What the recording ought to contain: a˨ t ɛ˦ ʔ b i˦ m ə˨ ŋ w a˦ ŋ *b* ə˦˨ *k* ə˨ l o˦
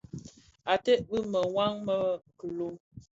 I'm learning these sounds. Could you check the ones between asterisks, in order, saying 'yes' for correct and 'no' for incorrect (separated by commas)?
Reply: no, yes